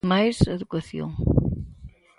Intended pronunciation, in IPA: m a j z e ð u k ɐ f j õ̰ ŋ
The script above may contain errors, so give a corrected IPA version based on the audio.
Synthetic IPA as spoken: m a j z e ð u k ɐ θ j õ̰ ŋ